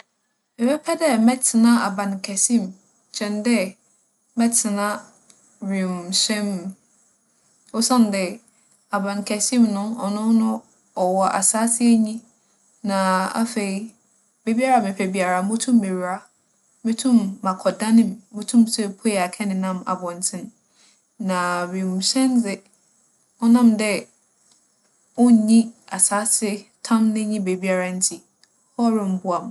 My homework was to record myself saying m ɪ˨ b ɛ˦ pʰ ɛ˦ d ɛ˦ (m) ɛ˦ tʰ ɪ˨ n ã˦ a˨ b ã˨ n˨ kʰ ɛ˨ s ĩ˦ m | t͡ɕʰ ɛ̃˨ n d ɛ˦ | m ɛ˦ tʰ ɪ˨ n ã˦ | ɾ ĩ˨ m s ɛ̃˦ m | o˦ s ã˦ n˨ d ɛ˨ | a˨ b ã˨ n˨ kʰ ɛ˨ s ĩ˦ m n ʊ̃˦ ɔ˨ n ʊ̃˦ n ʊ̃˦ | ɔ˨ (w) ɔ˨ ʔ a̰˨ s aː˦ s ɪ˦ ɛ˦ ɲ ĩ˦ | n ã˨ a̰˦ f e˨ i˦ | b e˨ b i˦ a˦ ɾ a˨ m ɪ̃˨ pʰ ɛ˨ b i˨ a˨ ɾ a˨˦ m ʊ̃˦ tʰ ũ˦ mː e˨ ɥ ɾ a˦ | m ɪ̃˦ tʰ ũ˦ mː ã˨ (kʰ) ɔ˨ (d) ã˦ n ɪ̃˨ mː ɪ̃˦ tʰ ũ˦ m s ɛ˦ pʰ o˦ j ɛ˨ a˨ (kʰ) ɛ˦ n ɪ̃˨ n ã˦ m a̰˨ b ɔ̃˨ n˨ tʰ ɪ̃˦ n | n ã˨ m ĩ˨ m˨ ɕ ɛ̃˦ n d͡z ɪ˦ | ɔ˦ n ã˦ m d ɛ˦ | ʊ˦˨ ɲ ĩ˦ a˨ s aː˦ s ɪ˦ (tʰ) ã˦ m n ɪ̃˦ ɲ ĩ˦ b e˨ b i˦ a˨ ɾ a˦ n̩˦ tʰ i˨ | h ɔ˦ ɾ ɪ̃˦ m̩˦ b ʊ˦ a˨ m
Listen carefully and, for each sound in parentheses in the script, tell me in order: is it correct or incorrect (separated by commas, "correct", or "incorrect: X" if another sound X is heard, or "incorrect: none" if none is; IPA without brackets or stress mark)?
correct, correct, correct, correct, correct, correct